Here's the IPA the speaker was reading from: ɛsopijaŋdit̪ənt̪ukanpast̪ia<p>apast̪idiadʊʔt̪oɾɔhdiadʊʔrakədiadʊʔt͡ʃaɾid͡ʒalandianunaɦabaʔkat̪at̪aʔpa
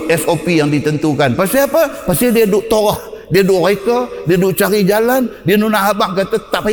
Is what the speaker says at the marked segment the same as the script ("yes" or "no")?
yes